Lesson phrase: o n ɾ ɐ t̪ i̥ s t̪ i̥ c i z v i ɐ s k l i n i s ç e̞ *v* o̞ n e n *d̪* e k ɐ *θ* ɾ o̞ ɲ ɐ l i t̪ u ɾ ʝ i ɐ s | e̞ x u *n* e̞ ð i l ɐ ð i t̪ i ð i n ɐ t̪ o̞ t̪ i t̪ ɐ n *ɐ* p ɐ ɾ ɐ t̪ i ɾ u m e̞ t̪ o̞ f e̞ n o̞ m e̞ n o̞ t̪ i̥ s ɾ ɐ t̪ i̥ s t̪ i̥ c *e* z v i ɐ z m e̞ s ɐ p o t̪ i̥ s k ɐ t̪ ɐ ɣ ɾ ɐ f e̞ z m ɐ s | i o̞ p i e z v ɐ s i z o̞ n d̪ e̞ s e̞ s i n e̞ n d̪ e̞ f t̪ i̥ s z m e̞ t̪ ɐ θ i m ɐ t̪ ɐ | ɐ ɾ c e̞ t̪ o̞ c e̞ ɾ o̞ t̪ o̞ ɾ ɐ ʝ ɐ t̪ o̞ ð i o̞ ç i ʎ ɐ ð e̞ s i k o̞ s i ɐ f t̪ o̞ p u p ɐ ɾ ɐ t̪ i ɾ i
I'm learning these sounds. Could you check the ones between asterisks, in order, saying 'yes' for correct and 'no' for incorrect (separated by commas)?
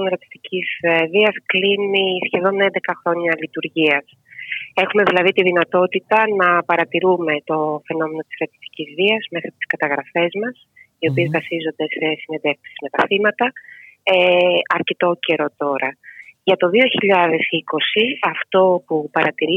no, yes, no, no, yes, no